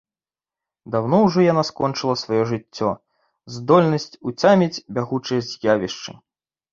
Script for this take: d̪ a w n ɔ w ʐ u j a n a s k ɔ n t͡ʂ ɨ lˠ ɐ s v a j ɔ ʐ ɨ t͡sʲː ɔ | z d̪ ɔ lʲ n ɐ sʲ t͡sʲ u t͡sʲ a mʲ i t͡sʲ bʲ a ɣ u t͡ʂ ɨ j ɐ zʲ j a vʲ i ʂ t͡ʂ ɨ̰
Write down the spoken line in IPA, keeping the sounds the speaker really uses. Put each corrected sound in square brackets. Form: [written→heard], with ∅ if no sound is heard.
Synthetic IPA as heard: d̪ a w n ɔ w ʐ [u→ɔ] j a n a s k ɔ n t͡ʂ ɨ lˠ ɐ s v a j ɔ ʐ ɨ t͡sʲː ɔ | z d̪ ɔ lʲ n ɐ sʲ t͡sʲ u t͡sʲ a mʲ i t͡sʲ bʲ a ɣ u t͡ʂ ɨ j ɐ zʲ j a vʲ i ʂ t͡ʂ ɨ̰